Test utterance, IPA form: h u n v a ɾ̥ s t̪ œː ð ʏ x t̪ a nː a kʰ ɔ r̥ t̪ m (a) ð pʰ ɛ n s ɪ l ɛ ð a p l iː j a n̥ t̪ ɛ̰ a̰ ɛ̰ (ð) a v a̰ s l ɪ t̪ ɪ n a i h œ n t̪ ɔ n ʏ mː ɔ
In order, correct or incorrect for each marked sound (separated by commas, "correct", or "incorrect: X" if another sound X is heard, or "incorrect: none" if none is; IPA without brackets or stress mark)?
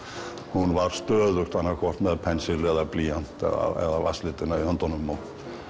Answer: incorrect: ɛ, correct